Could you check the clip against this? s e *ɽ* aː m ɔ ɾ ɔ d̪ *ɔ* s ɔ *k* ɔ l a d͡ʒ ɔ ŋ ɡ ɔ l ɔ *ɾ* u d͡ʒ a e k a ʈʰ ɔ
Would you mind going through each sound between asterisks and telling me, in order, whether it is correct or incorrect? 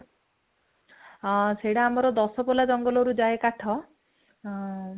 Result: correct, correct, incorrect: p, correct

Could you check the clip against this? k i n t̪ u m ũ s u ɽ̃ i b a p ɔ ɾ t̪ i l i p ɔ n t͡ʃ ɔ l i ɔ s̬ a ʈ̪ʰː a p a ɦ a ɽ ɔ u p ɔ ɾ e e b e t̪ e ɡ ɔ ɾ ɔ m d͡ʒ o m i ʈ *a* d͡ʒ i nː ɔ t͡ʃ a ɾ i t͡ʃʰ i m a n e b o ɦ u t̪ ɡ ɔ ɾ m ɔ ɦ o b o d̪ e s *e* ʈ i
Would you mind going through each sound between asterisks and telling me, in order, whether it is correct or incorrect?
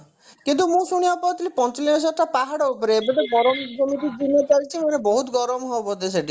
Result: incorrect: i, correct

